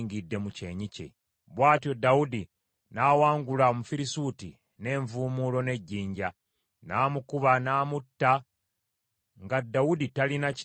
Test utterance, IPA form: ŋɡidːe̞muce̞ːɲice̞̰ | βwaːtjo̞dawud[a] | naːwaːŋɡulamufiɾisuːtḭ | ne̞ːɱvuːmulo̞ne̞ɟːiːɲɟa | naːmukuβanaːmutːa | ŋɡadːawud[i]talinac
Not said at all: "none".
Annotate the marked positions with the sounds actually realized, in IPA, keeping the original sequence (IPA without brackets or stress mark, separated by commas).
i, i